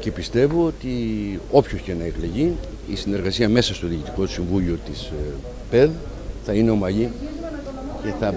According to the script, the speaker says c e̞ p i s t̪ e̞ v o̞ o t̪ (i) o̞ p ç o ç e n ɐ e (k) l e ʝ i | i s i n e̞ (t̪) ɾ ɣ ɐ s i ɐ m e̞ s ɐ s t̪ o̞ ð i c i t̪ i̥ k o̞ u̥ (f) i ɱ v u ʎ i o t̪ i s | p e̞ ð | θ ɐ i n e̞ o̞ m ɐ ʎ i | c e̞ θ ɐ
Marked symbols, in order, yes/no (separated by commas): yes, yes, no, no